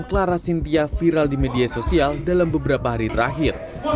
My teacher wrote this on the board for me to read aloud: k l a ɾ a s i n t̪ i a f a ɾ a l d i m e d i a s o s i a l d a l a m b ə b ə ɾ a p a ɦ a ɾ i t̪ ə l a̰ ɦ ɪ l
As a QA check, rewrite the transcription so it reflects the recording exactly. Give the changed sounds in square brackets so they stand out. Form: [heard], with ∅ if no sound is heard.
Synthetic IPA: k l a ɾ a s i n t̪ i a f [i] ɾ a l d i m e d i a s o s i a l d a l a m b ə b ə ɾ a p a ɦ a ɾ i t̪ ə [ɾ] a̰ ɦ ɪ [r]